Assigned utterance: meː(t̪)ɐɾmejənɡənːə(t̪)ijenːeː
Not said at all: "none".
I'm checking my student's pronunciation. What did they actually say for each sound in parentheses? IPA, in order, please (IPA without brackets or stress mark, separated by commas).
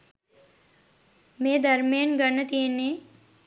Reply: d̪, t̪